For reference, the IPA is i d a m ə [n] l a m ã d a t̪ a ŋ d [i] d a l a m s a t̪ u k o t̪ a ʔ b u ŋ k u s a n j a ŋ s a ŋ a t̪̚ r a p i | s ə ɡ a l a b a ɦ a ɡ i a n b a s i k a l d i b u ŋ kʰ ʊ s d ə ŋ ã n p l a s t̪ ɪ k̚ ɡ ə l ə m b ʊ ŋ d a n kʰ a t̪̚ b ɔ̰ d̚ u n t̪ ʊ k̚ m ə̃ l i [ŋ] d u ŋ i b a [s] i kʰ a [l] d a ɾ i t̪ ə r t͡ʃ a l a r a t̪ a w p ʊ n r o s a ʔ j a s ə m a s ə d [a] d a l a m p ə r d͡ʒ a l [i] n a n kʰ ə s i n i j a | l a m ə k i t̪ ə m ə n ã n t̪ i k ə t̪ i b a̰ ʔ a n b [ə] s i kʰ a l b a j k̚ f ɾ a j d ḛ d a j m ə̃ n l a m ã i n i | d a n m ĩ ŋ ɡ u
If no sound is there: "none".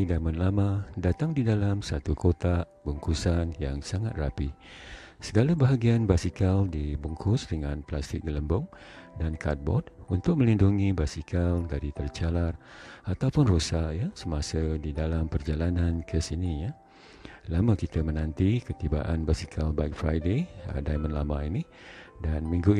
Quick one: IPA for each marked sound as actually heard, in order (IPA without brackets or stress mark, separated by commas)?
n, i, n, s, l, i, a, a